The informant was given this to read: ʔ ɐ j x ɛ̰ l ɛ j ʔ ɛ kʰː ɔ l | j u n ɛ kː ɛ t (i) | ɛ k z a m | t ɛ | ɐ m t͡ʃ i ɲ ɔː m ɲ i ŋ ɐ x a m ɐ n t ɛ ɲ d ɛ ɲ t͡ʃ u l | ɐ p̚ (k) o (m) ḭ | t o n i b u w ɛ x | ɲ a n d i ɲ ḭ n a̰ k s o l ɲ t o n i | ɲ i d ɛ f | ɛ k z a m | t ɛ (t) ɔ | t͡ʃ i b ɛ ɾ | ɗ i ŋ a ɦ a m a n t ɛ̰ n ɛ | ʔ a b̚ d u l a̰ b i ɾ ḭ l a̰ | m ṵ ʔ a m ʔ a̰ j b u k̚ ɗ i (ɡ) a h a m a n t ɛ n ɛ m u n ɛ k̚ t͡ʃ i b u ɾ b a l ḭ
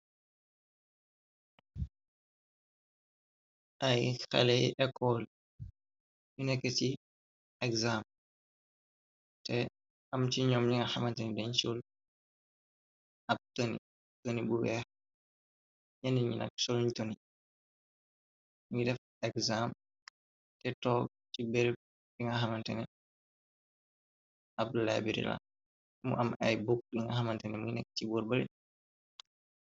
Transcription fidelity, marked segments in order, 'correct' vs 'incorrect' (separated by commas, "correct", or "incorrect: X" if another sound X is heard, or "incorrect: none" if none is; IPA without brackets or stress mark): correct, incorrect: t, incorrect: n, correct, incorrect: ŋ